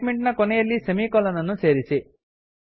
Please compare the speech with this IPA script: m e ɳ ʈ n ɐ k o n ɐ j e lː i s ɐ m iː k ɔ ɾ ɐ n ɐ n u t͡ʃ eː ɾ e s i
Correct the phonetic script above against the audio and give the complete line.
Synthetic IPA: m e ɳ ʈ n ɐ k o n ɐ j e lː i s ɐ m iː k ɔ l ɐ n ɐ n u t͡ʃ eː ɾ i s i